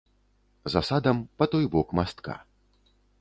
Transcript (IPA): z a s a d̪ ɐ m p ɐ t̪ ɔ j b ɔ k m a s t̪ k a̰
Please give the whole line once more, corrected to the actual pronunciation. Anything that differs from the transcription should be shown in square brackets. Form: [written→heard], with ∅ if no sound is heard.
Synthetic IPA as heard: z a s a d̪ ɐ m p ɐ t̪ ɔ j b ɔ k m a s t̪ k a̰